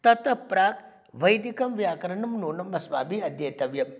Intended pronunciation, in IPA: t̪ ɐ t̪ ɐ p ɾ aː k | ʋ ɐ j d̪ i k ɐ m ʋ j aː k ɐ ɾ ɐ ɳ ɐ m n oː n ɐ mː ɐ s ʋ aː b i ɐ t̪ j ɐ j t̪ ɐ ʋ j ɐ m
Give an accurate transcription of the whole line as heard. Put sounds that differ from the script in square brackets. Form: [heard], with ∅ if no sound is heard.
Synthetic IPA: t̪ ɐ t̪ ɐ p ɾ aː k | ʋ ɐ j d̪ i k ɐ m ʋ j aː k ɐ ɾ ɐ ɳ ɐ m n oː n ɐ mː ɐ s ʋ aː b i ɐ [d̪] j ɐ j t̪ ɐ ʋ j ɐ m